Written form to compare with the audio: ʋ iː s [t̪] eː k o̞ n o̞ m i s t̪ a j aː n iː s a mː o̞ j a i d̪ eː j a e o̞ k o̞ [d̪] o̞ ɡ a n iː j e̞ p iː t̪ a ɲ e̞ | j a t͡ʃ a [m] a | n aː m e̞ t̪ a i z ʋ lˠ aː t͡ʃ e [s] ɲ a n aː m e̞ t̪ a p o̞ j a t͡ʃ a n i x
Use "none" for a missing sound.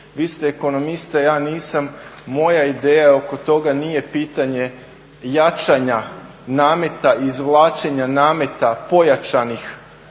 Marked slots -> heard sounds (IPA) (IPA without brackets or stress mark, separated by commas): t̪, t̪, ɲ, none